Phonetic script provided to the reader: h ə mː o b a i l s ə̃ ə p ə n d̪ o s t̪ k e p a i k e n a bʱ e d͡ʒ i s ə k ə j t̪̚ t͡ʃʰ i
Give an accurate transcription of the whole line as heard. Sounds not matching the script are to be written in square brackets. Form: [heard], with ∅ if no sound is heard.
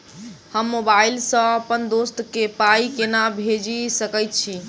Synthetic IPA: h ə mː o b a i l s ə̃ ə p ə n d̪ o s t̪ k e p a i k e n a bʱ e d͡ʒ i s ə k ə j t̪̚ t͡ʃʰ i